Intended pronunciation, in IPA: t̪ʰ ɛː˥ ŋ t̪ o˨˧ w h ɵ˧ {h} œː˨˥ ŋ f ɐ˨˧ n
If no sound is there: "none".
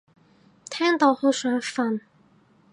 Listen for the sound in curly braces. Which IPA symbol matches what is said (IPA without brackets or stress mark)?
s